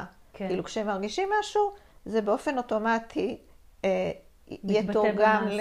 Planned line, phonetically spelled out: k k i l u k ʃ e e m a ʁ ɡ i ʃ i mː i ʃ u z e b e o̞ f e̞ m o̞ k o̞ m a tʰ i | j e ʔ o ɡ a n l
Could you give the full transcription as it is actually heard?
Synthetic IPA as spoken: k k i l u k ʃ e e m a ʁ ɡ i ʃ i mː a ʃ u z e b e o̞ f e̞ n o̞ t o̞ m a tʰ i | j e t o ɡ a m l